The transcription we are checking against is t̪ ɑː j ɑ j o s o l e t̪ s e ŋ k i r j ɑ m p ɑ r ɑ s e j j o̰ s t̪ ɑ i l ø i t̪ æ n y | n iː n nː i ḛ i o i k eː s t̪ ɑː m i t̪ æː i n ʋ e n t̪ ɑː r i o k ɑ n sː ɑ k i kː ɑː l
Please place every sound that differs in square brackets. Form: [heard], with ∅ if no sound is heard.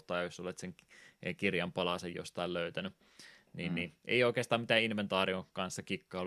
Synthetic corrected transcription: t̪ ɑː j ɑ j o s o l e t̪ s e ŋ k i r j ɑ m p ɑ [l] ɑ s e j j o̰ s t̪ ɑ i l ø [y] t̪ æ n y | n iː n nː i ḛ i o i k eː s t̪ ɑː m i t̪ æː i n ʋ e n t̪ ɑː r i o k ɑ n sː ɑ k i kː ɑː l